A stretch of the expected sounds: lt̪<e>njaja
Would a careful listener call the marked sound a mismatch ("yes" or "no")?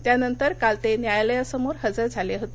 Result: no